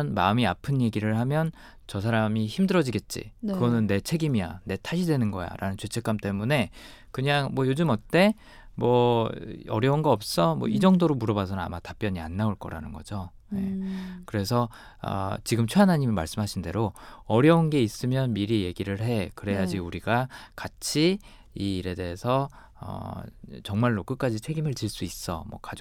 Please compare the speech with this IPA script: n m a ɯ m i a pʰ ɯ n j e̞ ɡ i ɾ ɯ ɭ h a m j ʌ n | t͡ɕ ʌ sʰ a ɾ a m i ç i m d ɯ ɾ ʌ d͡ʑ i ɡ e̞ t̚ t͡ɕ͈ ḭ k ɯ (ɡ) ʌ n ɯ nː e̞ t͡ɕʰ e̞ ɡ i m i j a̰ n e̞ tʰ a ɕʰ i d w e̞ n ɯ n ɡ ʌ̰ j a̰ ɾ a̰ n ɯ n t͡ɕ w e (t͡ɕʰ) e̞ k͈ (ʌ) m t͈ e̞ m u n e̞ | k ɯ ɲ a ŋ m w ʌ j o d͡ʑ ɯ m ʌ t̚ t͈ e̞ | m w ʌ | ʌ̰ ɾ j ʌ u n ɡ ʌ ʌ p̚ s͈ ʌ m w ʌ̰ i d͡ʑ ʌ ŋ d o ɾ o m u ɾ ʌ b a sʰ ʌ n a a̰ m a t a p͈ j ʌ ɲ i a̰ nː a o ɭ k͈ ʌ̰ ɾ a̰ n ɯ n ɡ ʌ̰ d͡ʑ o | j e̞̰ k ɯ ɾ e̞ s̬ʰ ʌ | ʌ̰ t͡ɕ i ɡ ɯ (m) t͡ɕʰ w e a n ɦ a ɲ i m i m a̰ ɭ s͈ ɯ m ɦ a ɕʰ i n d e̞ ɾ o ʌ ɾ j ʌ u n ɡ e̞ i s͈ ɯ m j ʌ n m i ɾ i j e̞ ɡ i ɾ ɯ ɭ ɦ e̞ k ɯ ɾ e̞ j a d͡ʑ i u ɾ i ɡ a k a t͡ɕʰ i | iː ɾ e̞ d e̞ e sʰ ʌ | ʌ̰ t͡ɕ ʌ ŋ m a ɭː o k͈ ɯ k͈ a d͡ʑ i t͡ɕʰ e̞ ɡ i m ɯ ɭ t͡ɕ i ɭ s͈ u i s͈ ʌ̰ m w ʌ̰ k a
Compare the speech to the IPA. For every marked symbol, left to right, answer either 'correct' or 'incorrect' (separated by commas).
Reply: correct, correct, incorrect, correct